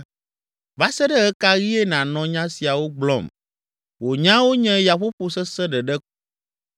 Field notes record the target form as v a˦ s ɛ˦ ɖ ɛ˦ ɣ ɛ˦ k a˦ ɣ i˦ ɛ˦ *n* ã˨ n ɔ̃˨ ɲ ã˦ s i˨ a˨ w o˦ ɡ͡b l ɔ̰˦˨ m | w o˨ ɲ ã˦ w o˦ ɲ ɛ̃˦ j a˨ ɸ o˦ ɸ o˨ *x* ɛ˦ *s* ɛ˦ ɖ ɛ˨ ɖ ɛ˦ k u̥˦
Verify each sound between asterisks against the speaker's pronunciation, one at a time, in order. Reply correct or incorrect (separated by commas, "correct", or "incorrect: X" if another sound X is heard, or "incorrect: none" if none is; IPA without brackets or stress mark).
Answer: correct, incorrect: s, correct